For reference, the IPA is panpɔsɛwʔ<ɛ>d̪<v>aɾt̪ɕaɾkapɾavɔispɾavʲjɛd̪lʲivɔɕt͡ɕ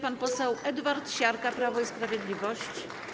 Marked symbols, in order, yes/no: yes, yes

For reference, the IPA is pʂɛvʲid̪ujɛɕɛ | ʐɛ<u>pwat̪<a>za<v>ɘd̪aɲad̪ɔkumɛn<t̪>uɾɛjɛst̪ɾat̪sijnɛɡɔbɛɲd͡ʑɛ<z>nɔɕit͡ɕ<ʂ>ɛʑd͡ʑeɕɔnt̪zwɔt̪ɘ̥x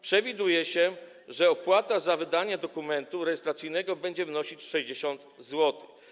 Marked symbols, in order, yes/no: no, yes, yes, yes, no, yes

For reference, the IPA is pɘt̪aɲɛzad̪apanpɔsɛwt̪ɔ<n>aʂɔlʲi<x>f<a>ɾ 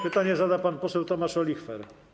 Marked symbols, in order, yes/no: no, yes, no

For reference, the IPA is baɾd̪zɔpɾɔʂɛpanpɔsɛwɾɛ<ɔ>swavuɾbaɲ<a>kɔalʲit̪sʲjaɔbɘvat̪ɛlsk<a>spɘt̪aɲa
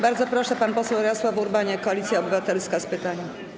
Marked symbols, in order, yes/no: yes, no, yes

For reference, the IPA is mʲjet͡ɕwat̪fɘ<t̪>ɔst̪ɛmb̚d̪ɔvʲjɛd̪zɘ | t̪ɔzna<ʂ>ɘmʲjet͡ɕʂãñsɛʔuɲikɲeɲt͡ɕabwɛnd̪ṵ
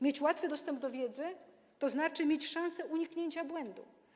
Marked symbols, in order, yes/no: no, no

